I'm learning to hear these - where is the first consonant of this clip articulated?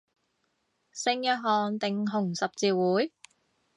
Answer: tongue tip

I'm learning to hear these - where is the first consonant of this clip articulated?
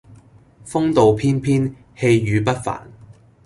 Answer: lips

